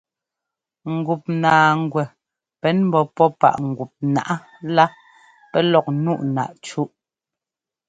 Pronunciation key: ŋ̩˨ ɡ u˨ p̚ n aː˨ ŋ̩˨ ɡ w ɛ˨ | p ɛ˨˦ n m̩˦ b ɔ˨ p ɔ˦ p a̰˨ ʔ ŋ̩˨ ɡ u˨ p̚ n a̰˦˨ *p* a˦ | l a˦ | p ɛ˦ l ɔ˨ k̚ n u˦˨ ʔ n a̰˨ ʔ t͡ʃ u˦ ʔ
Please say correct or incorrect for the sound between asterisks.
incorrect